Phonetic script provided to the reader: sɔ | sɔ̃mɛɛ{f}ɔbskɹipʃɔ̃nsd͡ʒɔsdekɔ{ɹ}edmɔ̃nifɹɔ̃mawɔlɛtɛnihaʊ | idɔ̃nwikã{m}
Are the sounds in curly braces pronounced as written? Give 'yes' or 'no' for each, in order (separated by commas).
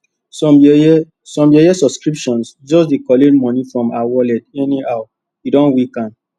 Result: no, no, no